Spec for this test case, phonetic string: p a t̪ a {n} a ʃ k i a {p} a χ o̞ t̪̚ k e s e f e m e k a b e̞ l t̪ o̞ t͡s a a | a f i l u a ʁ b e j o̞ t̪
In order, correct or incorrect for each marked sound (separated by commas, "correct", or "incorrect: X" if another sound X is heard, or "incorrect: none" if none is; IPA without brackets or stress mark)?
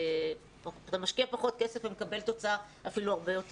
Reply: incorrect: m, correct